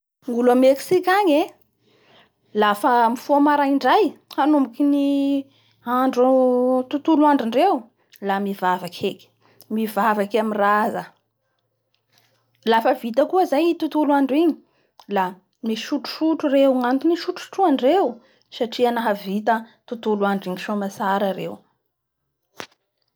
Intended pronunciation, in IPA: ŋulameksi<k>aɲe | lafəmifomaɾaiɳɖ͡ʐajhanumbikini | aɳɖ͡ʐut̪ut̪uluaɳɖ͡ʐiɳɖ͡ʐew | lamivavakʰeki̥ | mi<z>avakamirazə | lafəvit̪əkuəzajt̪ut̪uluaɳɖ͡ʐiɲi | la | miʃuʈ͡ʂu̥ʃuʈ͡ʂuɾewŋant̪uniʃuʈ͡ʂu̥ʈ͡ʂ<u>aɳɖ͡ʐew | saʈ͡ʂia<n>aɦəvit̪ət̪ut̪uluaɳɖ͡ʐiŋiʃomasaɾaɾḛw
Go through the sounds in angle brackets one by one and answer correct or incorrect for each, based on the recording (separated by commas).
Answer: correct, incorrect, correct, correct